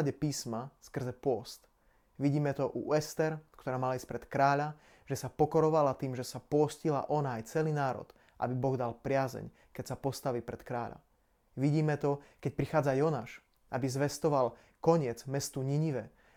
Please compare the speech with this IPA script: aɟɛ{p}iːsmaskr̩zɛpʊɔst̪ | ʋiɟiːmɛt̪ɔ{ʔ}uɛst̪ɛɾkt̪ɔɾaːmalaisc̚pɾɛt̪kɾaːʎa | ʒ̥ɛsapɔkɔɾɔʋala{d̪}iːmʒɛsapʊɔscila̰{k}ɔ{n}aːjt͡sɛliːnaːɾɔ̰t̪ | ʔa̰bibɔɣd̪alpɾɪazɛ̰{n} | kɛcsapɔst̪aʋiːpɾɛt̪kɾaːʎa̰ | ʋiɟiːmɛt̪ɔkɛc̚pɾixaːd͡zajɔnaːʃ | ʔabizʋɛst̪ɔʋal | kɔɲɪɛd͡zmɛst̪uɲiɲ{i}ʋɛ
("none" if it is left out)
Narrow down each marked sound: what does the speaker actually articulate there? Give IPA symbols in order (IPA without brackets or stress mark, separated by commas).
p, ʔ, t̪, ʔ, n, ɲ, i